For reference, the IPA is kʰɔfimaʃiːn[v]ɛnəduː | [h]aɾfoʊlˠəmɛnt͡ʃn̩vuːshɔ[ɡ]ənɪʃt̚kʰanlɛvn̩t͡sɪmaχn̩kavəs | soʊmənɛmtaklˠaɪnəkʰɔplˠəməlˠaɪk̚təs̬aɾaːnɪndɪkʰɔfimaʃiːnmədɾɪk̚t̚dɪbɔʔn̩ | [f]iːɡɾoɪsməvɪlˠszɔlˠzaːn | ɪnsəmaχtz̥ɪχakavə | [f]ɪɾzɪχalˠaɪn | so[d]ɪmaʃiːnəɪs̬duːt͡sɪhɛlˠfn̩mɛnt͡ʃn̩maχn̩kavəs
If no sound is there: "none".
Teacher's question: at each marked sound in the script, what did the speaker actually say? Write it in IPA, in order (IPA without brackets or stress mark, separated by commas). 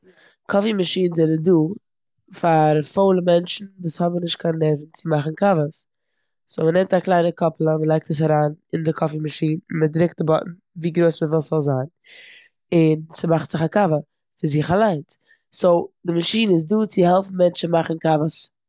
z, f, b, v, f, d